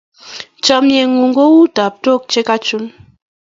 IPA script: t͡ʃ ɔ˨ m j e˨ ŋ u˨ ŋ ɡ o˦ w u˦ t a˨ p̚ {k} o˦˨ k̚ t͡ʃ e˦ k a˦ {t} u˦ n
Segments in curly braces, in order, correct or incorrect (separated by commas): incorrect, incorrect